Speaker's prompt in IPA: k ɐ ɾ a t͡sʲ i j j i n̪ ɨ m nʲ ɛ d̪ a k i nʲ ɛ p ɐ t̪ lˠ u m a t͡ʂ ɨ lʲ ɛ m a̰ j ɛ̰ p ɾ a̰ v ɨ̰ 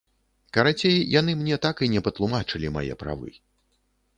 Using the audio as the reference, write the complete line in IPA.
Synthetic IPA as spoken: k ɐ ɾ a t͡sʲ e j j a n̪ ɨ m nʲ ɛ t̪ a k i nʲ ɛ p ɐ t̪ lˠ u m a t͡ʂ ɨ lʲ i m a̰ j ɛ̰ p ɾ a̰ v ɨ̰